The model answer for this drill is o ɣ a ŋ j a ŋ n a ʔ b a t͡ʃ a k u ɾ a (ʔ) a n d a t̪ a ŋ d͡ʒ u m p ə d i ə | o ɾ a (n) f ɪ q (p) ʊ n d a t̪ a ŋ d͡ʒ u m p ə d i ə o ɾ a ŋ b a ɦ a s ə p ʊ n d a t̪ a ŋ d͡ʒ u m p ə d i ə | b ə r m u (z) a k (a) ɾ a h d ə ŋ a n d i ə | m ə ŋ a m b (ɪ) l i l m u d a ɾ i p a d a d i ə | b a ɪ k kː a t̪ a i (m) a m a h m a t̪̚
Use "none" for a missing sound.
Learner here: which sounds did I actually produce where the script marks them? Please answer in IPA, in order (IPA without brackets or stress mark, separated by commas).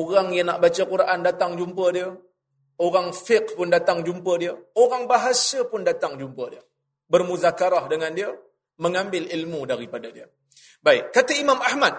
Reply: ʔ, ŋ, p, z, a, ɪ, m